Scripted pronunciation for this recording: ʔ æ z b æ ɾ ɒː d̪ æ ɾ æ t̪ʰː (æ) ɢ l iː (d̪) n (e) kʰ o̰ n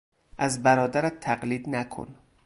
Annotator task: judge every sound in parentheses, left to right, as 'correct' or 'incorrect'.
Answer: correct, correct, incorrect: æ

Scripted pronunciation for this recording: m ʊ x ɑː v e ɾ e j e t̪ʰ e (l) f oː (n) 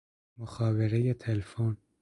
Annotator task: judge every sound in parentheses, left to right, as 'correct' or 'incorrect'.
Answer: correct, correct

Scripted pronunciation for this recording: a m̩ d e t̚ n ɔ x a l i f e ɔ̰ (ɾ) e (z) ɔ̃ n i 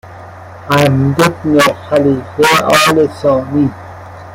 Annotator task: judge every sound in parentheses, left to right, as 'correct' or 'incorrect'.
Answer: incorrect: l, incorrect: s

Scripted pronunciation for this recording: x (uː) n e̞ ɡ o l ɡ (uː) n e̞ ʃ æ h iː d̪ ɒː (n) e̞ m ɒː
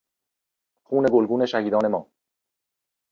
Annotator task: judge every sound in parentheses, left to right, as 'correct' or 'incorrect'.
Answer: correct, correct, correct

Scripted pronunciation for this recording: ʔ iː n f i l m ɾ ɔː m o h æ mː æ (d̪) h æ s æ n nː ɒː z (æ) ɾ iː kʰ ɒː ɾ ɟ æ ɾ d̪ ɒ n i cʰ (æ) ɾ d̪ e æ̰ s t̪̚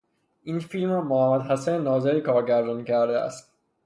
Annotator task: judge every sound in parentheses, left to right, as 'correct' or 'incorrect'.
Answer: correct, incorrect: e, correct

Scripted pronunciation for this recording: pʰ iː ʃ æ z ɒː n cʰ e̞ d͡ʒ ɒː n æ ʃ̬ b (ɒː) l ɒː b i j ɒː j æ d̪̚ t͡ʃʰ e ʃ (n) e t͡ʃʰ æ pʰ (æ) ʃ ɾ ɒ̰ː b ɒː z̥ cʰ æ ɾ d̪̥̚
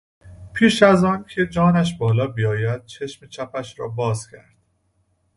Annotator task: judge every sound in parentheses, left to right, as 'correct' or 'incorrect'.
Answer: correct, incorrect: m, correct

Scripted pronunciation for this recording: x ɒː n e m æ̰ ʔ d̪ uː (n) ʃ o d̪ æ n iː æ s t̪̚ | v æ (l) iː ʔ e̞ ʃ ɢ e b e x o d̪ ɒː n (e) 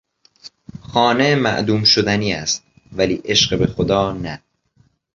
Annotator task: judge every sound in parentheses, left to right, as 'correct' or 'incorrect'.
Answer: incorrect: m, correct, incorrect: æ

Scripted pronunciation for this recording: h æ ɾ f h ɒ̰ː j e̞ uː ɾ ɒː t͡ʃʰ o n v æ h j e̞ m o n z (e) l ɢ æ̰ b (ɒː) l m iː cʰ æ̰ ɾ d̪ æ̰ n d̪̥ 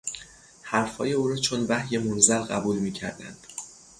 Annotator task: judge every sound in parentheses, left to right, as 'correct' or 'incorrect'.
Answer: incorrect: æ, incorrect: uː

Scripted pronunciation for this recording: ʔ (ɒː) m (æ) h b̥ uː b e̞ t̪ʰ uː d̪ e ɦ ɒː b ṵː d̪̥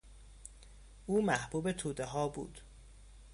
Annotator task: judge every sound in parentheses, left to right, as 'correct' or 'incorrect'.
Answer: incorrect: uː, correct

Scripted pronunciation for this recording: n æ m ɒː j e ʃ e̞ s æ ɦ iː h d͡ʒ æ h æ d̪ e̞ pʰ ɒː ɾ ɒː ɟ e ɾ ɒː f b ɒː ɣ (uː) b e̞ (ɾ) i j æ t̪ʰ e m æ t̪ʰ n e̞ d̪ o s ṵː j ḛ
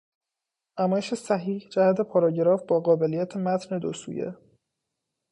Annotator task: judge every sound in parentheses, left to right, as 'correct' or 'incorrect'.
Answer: incorrect: ɒː, incorrect: l

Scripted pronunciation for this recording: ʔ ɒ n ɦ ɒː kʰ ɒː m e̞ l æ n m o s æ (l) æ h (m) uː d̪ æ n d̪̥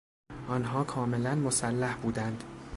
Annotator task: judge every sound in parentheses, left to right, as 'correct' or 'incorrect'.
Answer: incorrect: lː, incorrect: b

